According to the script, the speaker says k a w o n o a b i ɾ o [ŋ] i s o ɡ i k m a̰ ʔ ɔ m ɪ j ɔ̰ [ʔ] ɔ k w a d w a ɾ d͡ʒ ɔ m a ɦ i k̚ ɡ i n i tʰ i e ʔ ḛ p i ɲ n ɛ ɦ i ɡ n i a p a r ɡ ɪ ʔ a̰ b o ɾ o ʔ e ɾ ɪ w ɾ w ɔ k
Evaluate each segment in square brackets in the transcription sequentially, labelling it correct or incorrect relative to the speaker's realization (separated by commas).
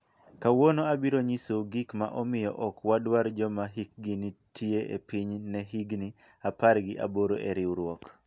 incorrect, correct